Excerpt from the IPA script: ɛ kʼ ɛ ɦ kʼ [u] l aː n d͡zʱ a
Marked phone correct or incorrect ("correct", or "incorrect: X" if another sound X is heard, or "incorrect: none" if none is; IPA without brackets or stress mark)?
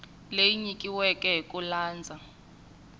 correct